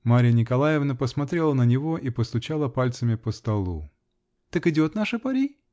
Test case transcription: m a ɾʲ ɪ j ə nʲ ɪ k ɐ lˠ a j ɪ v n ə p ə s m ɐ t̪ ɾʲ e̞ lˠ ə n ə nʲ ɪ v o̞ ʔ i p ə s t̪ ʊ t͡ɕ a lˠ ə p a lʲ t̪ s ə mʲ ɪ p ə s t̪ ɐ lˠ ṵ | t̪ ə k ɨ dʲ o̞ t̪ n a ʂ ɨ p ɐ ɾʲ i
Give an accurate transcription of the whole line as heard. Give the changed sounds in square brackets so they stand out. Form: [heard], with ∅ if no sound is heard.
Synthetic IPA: m a ɾʲ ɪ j ə nʲ ɪ k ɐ lˠ a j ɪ v n ə p ə s m ɐ t̪ ɾʲ e̞ lˠ ə n ə nʲ ɪ v o̞ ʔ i p ə s t̪ ʊ t͡ɕ a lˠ ə p a lʲ t̪ s ə mʲ ɪ p ə s t̪ ɐ lˠ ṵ | t̪ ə k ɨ dʲ o̞ t̪ n a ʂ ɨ p ɐ ɾʲ i